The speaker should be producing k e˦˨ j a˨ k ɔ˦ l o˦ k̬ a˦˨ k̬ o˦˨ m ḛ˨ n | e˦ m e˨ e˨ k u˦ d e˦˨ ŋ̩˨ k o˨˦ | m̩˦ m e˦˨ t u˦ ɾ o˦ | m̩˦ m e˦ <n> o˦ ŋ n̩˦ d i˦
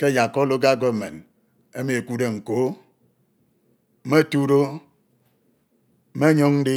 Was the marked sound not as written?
yes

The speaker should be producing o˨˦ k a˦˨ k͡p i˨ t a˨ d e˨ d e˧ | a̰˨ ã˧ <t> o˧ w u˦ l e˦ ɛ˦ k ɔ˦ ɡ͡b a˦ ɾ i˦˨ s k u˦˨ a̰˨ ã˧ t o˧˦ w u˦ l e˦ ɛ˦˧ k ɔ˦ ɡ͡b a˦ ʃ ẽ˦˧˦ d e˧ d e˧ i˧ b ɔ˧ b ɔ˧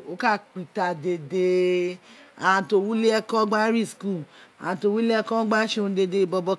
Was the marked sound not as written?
no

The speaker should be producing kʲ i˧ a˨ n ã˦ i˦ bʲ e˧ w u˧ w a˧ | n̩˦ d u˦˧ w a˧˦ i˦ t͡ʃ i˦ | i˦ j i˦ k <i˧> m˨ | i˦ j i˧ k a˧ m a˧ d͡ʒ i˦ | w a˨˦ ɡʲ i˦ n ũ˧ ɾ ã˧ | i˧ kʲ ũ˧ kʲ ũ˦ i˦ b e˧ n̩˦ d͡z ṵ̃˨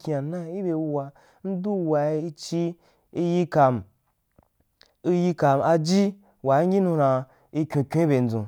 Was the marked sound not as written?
yes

